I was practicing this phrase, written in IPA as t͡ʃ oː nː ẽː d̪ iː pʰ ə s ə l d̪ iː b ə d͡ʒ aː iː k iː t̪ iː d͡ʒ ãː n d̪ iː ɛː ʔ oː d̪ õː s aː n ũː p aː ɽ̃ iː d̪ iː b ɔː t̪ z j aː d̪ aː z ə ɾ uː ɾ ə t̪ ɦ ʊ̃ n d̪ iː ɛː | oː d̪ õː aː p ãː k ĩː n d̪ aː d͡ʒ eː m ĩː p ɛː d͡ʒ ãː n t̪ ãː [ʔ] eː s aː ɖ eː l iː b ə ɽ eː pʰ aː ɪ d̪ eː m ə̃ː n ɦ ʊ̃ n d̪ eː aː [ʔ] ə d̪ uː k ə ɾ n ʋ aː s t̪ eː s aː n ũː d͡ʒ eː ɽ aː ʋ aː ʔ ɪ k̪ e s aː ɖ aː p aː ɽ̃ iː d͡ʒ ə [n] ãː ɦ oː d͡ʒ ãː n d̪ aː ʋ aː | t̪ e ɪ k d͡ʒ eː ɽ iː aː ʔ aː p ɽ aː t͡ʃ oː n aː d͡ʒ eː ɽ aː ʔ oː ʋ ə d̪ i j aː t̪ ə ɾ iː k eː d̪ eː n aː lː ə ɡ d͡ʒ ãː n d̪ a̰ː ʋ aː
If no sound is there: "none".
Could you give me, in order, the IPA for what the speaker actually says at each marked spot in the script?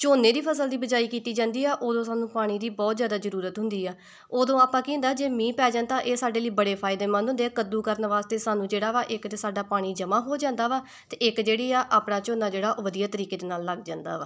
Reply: ʔ, k, m

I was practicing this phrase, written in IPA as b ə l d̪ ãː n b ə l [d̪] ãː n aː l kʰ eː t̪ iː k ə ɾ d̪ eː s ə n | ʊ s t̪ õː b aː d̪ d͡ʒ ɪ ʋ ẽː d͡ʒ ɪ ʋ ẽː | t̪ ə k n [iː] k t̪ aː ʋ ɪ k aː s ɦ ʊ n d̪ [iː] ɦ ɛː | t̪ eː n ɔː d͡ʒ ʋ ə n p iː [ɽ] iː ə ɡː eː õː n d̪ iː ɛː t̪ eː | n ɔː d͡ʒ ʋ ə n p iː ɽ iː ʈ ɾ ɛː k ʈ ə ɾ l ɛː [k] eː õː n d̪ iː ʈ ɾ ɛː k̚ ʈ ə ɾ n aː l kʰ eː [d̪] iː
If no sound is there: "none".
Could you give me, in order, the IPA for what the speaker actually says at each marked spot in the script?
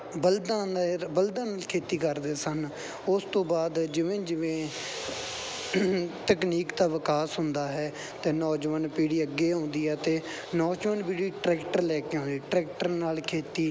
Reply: d̪, iː, aː, ɽ, k, t̪

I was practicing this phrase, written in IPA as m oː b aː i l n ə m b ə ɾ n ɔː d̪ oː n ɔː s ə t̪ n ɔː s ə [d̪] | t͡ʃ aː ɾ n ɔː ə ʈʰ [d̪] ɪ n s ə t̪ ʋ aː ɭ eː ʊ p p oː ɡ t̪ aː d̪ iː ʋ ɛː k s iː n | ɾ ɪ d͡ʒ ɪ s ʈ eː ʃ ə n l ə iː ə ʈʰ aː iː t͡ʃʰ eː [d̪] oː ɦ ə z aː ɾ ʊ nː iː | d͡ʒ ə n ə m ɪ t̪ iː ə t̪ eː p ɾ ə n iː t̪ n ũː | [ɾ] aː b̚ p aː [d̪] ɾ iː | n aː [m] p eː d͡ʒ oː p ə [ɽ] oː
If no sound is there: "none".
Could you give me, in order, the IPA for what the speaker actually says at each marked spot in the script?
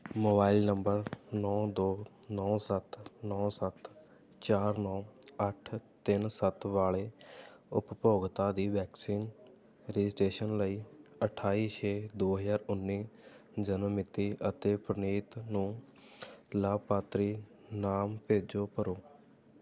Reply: t̪, t̪, d̪, l, t̪, m, ɾ

